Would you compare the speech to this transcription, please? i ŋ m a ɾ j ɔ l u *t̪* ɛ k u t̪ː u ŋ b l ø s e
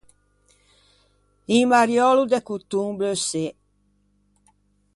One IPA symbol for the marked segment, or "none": d̪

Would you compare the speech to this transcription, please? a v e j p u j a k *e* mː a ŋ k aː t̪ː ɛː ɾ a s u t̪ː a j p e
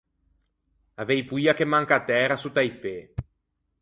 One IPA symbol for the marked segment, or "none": e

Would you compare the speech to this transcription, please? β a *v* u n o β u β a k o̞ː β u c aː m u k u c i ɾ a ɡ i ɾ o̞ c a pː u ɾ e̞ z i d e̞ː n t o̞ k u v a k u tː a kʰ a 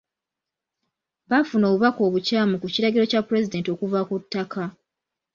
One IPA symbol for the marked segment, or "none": f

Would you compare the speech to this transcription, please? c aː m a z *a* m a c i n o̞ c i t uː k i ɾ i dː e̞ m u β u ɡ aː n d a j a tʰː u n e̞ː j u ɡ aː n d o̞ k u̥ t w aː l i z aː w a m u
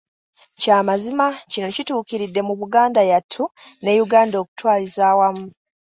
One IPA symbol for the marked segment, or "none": i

